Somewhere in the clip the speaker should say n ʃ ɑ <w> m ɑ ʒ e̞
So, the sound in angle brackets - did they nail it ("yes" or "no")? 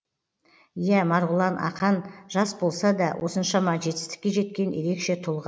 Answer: no